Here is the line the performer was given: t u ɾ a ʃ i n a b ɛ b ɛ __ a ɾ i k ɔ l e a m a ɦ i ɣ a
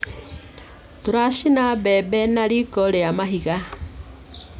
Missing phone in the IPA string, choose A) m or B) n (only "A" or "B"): B